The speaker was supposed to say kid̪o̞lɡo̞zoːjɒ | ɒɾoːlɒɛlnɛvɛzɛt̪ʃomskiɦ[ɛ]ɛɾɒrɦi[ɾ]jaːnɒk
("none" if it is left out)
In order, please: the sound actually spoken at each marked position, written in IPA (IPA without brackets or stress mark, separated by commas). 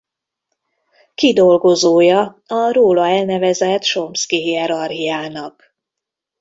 i, none